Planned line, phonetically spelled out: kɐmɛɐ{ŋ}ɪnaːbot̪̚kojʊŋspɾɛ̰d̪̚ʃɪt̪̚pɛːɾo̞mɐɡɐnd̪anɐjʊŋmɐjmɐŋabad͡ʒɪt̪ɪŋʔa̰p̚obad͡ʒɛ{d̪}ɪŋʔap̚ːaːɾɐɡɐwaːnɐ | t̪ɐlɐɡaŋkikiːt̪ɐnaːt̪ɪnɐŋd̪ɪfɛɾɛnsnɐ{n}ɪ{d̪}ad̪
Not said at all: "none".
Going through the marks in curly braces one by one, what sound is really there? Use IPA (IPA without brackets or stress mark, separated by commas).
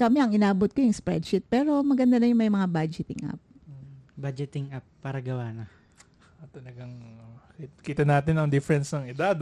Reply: ŋ, t̪, ŋ, d̪